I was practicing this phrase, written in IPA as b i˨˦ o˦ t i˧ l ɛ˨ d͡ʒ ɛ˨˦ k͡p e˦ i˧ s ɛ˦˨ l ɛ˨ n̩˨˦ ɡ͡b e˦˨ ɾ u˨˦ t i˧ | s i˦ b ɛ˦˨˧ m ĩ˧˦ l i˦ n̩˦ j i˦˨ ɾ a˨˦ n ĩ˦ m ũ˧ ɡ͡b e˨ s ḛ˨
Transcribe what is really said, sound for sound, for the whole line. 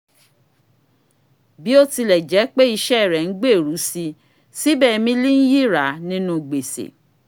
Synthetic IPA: b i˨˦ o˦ t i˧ l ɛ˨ d͡ʒ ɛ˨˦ k͡p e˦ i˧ ʃ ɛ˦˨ ɾ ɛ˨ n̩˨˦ ɡ͡b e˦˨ ɾ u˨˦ s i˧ | s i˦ b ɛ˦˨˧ m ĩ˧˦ l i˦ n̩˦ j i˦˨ ɾ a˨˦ n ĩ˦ n ũ˧ ɡ͡b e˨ s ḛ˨